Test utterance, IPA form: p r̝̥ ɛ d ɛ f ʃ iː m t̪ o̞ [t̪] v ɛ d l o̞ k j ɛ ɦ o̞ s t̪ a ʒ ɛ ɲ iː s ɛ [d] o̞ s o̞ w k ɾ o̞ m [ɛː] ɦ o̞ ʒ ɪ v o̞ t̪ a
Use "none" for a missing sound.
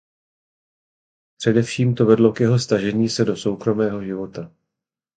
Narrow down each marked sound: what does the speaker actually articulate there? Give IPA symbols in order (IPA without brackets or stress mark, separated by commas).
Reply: none, d, ɛː